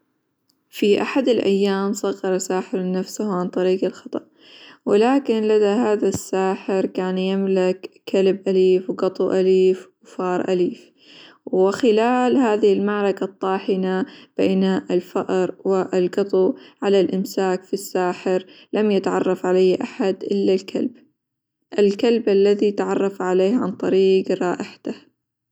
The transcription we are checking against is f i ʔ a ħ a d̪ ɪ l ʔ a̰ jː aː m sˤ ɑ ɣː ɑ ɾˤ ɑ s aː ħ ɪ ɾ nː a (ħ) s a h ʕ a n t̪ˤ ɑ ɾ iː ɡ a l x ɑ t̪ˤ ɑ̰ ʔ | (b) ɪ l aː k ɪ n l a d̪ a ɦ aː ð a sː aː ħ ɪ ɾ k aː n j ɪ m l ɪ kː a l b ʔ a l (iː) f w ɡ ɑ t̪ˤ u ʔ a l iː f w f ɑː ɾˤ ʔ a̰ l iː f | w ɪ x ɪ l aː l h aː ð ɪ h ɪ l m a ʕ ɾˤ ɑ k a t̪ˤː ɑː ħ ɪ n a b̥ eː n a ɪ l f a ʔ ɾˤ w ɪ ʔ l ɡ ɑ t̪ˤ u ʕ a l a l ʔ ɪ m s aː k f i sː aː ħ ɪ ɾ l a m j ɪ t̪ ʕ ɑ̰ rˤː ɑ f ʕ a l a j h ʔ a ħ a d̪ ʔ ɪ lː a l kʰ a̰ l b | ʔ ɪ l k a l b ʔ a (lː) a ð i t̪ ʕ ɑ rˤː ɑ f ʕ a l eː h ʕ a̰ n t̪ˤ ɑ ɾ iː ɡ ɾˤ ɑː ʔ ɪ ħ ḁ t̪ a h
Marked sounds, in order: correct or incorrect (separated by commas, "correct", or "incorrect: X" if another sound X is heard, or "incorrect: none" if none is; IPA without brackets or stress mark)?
incorrect: f, incorrect: w, correct, correct